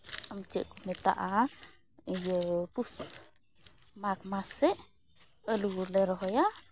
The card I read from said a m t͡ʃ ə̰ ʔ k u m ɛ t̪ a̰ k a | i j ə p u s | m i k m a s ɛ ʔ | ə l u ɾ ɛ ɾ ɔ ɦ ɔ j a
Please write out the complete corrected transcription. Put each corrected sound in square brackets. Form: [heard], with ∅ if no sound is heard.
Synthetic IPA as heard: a m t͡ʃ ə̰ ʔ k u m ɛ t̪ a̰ [ʔ] a | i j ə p u s | m [a] k m a s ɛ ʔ | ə l u [l] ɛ ɾ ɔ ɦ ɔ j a